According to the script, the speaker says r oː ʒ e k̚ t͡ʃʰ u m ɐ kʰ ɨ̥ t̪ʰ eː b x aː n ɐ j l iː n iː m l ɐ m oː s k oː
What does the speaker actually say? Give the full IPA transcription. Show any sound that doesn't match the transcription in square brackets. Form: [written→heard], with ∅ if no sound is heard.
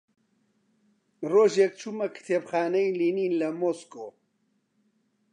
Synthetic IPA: r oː ʒ e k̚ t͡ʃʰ u m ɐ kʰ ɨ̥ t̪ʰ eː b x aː n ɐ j l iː n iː [m→n] l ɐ m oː s k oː

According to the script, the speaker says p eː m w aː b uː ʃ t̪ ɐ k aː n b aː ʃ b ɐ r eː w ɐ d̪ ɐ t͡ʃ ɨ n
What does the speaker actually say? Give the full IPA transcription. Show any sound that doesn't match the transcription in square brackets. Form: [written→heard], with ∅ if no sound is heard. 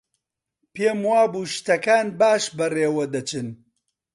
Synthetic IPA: p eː m w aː b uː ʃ t̪ ɐ k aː n b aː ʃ b ɐ r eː w ɐ d̪ ɐ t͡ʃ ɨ n

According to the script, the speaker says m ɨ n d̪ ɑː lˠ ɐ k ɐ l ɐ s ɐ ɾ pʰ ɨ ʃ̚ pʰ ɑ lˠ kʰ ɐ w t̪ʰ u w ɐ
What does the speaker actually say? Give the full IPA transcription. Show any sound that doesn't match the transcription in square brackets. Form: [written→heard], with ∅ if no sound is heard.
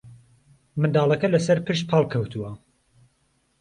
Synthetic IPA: m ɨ n d̪ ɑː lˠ ɐ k ɐ l ɐ s ɐ ɾ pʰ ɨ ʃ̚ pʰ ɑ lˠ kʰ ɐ w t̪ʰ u w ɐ

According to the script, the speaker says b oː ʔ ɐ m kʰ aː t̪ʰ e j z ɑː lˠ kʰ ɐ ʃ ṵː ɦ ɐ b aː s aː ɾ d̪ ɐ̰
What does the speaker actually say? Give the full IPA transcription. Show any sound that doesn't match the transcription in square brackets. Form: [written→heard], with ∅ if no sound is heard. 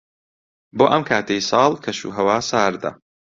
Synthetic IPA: b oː ʔ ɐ m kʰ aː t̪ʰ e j [z→s] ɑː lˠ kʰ ɐ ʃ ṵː ɦ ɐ [b→w] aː s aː ɾ d̪ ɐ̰

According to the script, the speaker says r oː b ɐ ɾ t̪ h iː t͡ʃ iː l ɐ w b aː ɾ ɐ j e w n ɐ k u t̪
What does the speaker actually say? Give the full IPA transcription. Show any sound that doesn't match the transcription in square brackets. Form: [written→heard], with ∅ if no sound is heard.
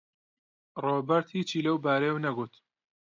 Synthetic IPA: r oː b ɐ ɾ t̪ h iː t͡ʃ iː l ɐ w b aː ɾ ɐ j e w n ɐ [k→ɡ] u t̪

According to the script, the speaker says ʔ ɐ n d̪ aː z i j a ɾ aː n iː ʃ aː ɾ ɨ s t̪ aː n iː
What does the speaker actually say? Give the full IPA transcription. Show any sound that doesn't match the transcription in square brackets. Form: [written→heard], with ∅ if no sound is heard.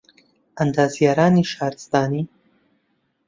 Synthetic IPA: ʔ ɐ n d̪ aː z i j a ɾ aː n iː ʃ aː ɾ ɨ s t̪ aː n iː

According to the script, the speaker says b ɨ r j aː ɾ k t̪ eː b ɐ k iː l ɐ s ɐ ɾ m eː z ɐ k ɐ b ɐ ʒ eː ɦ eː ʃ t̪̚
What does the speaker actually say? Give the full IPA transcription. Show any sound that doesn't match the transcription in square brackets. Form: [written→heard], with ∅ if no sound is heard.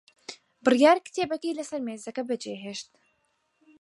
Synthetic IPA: b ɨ r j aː ɾ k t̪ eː b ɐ k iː l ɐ s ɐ ɾ m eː z ɐ k ɐ b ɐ [ʒ→d͡ʒ] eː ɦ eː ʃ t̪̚

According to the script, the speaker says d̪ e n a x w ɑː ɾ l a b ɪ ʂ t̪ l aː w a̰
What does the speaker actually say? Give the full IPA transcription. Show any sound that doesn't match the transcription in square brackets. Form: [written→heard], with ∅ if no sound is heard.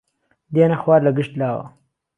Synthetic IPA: d̪ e n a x w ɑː ɾ l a [b→ɡ] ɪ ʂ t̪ l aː w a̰

